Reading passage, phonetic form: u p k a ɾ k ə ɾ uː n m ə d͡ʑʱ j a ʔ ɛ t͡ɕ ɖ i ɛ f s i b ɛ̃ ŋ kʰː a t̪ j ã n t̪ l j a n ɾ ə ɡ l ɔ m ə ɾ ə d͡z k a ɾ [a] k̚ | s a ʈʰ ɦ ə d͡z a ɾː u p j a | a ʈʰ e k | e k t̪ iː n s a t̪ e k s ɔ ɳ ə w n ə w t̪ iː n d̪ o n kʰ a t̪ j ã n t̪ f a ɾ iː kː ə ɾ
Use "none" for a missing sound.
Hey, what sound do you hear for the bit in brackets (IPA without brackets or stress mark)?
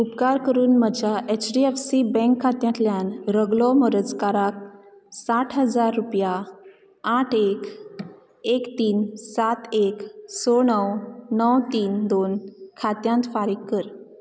a